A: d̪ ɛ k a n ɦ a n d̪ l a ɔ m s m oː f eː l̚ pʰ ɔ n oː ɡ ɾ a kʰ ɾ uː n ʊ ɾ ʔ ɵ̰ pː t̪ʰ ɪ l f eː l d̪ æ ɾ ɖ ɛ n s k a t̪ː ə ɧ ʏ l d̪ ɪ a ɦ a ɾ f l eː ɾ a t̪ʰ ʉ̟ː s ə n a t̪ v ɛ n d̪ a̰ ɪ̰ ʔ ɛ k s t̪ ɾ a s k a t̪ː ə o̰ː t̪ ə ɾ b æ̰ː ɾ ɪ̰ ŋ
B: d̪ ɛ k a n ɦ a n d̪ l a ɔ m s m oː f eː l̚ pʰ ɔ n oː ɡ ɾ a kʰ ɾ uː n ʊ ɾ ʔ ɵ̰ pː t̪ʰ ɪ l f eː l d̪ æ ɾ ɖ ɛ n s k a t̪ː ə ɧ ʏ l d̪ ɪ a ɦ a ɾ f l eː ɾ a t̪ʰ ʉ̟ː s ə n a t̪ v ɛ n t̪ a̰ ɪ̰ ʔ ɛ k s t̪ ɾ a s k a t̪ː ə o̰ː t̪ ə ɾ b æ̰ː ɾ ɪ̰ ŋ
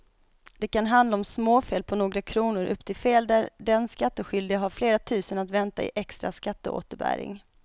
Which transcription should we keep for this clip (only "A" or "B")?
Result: B